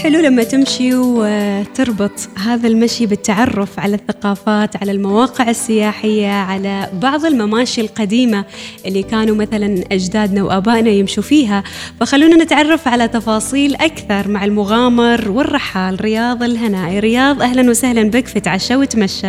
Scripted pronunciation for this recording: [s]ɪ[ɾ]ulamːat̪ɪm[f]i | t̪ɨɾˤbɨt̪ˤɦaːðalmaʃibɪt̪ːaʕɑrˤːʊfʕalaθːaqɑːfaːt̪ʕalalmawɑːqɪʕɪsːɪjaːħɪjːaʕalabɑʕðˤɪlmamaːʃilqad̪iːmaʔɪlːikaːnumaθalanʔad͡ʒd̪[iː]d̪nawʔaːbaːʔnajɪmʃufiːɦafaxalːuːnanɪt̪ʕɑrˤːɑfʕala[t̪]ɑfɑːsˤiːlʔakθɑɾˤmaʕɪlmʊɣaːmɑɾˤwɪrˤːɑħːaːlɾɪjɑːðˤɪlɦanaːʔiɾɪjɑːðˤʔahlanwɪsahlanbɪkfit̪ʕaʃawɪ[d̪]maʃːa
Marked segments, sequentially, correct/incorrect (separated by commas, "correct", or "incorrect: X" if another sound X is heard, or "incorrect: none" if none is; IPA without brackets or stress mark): incorrect: ħ, incorrect: l, incorrect: ʃ, incorrect: aː, correct, incorrect: t̪